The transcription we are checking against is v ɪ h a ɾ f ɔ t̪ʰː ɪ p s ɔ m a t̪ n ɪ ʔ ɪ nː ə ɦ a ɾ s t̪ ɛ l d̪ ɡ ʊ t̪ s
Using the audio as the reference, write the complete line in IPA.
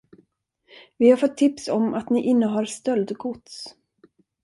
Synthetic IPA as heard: v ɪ h a ɾ f ɔ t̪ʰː ɪ p s ɔ m a t̪ n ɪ ʔ ɪ nː ə ɦ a ɾ s t̪ œ l d̪ ɡ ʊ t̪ s